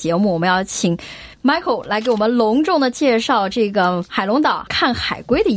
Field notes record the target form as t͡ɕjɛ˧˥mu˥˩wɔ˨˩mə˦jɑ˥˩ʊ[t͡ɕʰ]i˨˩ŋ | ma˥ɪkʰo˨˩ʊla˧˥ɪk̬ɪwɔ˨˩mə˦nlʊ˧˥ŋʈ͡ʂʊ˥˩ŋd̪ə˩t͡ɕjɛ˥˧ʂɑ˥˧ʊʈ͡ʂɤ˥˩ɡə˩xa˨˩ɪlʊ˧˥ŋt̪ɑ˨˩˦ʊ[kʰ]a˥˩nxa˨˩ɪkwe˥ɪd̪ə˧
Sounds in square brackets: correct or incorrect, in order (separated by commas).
correct, correct